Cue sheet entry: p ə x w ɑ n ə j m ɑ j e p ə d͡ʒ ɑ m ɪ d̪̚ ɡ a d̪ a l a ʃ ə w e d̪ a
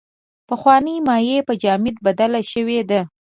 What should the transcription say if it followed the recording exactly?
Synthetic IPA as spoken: p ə x w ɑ n ə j m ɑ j e p ə d͡ʒ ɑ m ɪ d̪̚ b a d̪ a l a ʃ ə w e d̪ a